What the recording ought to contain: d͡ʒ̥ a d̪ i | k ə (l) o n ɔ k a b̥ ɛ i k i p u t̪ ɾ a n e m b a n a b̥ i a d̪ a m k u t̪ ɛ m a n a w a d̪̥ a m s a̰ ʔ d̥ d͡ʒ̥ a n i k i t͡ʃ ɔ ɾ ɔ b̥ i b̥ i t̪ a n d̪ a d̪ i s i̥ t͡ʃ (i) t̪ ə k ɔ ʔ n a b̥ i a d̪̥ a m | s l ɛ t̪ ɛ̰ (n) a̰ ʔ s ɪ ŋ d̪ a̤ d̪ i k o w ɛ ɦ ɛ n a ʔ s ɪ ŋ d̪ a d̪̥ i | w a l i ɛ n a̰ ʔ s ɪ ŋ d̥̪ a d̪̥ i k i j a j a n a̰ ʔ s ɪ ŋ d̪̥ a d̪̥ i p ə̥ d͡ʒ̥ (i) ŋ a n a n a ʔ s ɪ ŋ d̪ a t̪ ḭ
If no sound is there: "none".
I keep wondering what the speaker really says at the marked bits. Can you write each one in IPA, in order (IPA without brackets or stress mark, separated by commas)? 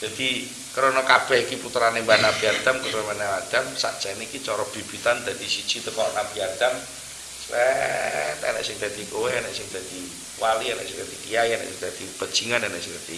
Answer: ɾ, i, n, i